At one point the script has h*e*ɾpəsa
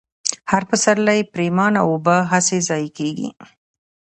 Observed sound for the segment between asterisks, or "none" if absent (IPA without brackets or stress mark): a